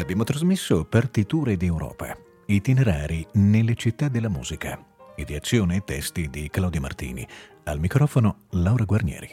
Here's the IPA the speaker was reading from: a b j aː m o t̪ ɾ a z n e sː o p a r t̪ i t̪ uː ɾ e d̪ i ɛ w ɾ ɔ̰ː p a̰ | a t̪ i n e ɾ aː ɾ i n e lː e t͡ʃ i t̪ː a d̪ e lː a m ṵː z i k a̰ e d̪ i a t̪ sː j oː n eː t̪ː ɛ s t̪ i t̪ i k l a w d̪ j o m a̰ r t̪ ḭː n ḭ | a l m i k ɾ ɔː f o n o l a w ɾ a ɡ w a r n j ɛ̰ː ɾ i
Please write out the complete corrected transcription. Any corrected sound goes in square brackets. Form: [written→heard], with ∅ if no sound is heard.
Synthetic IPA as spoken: a b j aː m o t̪ ɾ a z [n→m] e sː o p a r t̪ i t̪ uː ɾ e d̪ i ɛ w ɾ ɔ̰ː p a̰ | [a→i] t̪ i n e ɾ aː ɾ i n e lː e t͡ʃ i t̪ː a d̪ e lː a m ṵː z i k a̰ e d̪ i a t̪ sː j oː n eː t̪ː ɛ s t̪ i [t̪→d̪] i k l a w d̪ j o m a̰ r t̪ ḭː n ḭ | a l m i k ɾ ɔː f o n o l a w ɾ a ɡ w a r n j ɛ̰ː ɾ i